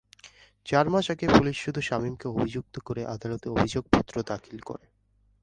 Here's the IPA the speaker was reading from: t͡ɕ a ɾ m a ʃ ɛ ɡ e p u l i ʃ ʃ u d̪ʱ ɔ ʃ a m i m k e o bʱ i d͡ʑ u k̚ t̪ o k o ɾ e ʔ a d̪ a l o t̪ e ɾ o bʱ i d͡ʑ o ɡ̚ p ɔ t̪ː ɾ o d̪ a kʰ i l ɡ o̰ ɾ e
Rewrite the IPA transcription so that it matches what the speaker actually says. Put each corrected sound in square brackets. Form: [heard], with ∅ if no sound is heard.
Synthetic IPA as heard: t͡ɕ a ɾ m a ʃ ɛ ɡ e p u l i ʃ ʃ u d̪ʱ [u] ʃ a m i m k e o bʱ i d͡ʑ u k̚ t̪ o k o ɾ e ʔ a d̪ a l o t̪ e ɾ o bʱ i d͡ʑ o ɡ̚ p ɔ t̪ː ɾ o d̪ a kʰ i l [k] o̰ ɾ e